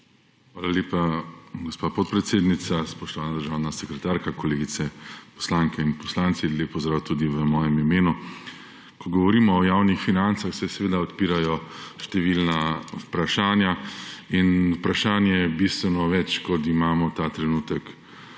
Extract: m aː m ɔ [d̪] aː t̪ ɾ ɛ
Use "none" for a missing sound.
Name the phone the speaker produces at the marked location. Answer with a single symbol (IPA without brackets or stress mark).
t̪